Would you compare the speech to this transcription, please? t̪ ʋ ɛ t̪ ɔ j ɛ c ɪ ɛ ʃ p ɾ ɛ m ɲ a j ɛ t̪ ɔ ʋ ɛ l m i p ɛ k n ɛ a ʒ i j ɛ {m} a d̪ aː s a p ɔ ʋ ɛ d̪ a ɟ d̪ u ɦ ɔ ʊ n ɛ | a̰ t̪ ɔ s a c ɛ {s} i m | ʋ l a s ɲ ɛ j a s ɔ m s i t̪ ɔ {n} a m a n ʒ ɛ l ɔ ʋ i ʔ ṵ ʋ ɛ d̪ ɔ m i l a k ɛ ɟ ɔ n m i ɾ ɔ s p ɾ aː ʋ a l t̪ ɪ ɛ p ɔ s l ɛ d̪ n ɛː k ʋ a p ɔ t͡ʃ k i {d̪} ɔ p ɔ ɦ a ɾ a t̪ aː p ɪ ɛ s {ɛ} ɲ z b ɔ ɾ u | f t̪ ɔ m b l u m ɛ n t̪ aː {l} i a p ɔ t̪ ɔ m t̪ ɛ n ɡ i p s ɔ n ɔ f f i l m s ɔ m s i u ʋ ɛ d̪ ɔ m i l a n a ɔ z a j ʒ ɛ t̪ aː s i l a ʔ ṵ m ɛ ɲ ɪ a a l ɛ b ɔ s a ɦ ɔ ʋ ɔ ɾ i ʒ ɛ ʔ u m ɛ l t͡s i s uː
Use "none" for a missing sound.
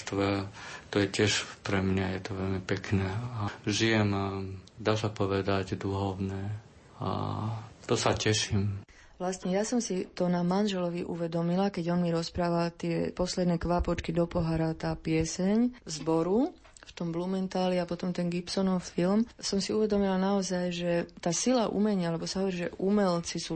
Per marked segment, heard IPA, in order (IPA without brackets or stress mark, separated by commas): m, ʃ, n, d̪, ɛ, l